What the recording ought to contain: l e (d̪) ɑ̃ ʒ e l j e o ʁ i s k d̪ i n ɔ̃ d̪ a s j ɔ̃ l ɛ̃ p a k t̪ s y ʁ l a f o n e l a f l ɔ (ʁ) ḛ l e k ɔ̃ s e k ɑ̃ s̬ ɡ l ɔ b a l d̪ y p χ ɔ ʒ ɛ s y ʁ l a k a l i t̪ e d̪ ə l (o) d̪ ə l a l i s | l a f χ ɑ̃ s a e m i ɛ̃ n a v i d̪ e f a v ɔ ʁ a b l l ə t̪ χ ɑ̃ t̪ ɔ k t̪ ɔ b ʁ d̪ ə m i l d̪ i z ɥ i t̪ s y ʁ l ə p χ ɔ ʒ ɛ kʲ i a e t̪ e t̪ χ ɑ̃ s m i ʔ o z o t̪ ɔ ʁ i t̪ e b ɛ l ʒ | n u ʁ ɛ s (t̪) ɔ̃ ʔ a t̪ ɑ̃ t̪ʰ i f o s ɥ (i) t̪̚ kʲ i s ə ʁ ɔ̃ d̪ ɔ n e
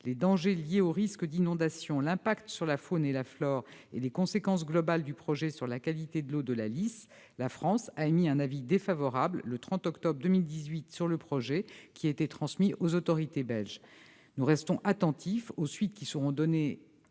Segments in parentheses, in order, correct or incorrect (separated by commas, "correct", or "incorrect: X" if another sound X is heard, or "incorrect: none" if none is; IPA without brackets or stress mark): correct, correct, correct, correct, correct